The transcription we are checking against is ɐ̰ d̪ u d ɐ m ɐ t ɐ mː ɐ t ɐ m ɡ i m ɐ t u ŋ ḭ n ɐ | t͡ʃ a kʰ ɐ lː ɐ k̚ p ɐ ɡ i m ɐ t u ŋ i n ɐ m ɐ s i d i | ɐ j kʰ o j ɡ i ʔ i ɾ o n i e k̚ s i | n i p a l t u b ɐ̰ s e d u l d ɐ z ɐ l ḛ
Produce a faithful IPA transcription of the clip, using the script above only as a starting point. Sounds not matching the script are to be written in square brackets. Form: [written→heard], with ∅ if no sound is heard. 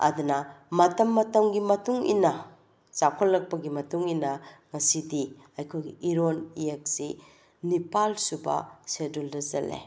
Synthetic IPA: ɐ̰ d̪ u [d→n] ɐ m ɐ t ɐ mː ɐ t ɐ m ɡ i m ɐ t u ŋ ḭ n ɐ | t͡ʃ a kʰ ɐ lː ɐ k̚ p ɐ ɡ i m ɐ t u ŋ i n ɐ [m→ŋ] ɐ s i d i | ɐ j kʰ o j ɡ i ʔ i ɾ o n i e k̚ s i | n i p a l [t→s] u b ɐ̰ s e d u l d ɐ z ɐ l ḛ